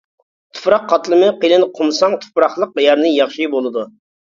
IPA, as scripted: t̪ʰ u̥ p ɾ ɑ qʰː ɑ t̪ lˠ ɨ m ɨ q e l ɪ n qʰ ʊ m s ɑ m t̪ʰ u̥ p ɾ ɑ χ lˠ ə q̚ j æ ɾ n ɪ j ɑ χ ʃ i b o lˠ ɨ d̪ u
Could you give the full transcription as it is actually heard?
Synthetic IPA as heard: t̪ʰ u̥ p ɾ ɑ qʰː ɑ t̪ lˠ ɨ m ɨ q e l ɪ n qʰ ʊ m s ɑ ŋ t̪ʰ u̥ p ɾ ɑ χ lˠ ə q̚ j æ ɾ n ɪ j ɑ χ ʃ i b o lˠ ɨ d̪ u